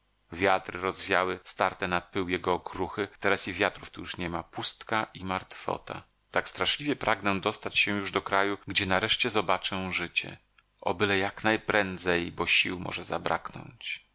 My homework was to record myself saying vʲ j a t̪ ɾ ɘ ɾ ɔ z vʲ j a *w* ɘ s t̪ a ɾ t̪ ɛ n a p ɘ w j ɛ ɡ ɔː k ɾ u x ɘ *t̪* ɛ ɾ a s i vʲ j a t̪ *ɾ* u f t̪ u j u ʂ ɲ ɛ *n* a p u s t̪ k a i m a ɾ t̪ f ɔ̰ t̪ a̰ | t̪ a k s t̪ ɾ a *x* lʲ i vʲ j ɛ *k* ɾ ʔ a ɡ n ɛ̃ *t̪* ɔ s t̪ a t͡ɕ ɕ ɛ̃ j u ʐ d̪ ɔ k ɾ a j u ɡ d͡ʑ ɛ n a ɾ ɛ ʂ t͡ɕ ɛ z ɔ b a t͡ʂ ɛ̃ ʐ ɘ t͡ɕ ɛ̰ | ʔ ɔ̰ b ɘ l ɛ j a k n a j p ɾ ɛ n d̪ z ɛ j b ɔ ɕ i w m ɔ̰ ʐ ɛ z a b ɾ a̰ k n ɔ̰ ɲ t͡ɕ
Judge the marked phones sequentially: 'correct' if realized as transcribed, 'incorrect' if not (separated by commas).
correct, correct, correct, incorrect, incorrect, incorrect, incorrect